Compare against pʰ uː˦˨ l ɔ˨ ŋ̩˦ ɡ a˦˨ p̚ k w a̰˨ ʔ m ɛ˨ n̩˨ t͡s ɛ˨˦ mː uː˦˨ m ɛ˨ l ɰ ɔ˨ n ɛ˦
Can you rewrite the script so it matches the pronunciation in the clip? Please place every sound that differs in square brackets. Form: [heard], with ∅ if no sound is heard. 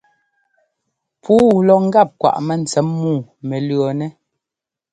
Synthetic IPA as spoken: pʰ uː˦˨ l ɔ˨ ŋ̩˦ ɡ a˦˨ p̚ k w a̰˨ ʔ m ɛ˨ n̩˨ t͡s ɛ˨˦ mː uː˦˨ m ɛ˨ l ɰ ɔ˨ n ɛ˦